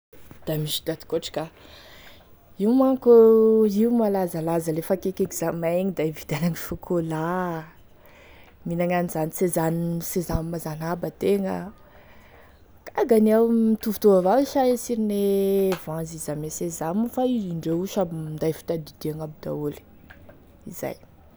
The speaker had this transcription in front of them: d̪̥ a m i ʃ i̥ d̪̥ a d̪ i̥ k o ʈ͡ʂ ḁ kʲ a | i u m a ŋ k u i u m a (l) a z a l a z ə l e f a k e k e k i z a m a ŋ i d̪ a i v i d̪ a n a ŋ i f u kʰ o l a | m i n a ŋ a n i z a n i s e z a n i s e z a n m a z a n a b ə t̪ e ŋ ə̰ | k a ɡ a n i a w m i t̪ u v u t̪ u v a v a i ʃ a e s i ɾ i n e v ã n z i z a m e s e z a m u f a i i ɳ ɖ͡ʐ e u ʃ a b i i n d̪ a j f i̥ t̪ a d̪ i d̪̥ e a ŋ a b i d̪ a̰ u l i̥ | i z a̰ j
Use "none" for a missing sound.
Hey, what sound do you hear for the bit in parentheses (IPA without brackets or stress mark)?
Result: l